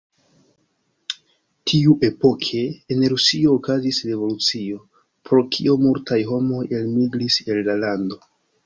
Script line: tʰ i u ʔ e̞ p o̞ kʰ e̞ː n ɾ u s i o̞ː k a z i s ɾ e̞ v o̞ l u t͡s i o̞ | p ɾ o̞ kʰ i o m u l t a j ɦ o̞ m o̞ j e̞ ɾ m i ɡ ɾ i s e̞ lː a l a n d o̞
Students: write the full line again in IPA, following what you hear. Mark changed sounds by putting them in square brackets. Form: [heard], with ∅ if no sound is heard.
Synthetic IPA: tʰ i u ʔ e̞ p o̞ kʰ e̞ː n ɾ u s i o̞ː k a z i s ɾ e̞ v o̞ l u t͡s i o̞ | p ɾ o̞ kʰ i o m u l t a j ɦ o̞ m o̞ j e̞ [l] m i ɡ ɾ i s e̞ lː a l a n d o̞